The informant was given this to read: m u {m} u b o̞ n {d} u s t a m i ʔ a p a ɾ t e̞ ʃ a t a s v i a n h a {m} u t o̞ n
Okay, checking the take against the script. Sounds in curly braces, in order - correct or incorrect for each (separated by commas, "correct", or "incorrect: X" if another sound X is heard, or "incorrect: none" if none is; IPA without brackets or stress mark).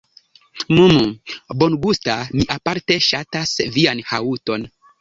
correct, incorrect: ɡ, incorrect: none